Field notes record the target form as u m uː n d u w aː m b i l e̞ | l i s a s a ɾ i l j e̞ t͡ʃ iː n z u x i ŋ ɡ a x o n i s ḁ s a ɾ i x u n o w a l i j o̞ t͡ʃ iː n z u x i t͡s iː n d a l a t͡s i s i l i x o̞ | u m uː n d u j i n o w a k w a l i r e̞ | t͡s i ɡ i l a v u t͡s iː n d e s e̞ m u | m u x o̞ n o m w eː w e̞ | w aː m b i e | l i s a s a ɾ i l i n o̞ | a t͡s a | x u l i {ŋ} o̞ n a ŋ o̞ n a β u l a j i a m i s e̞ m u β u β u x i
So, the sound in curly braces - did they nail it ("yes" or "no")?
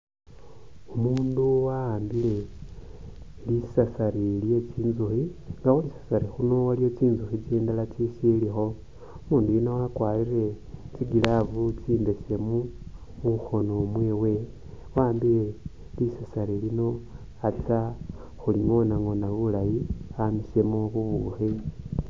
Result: yes